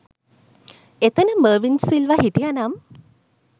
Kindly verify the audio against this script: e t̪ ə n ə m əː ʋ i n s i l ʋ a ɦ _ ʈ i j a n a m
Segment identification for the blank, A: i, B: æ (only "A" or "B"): A